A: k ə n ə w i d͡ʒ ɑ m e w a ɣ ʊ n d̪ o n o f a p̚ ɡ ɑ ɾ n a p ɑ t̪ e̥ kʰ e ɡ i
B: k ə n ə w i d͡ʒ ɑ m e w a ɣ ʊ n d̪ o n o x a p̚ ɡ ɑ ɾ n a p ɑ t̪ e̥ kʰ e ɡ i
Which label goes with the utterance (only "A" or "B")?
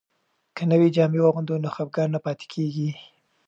B